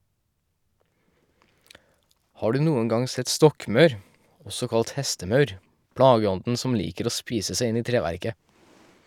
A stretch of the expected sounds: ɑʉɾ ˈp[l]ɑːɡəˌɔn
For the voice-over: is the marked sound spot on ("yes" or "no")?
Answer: no